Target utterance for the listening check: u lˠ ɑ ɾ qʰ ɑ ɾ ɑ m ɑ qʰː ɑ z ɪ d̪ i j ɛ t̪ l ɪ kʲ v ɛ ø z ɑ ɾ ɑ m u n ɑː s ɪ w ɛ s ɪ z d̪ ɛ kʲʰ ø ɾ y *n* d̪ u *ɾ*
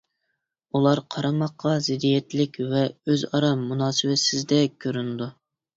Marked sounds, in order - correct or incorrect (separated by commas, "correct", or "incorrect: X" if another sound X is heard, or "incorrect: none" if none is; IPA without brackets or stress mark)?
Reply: correct, incorrect: none